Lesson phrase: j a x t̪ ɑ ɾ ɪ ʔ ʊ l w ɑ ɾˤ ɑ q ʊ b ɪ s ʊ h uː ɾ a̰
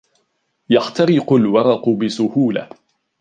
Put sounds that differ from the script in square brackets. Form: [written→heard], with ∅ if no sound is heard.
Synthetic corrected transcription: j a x t̪ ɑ ɾ ɪ [ʔ→q] ʊ l w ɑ ɾˤ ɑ q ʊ b ɪ s ʊ h uː [ɾ→l] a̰